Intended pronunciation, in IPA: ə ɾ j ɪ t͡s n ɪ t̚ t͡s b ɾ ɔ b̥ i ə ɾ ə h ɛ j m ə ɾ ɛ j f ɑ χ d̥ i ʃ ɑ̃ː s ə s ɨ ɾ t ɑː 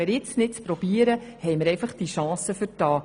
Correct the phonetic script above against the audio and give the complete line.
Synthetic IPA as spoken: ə ɾ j ɪ t͡s n ɪ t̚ t͡s p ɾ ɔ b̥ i ə ɾ ə h ɛ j m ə ɾ ɛ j f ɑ χ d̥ i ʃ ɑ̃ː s ə f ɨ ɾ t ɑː